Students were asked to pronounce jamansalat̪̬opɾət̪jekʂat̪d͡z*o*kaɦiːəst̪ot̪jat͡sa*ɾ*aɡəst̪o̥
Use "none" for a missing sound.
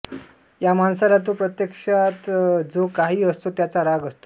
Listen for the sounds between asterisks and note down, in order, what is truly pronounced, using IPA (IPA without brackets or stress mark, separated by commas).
o, ɾ